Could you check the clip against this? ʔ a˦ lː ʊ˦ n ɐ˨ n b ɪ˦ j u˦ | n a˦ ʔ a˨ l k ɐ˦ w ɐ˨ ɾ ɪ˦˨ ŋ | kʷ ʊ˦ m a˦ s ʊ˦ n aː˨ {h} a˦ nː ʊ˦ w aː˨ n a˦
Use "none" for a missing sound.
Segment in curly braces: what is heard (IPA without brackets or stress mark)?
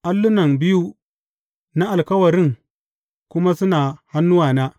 h